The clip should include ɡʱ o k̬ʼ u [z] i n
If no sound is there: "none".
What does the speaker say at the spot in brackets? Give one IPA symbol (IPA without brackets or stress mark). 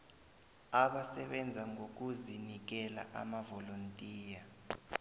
z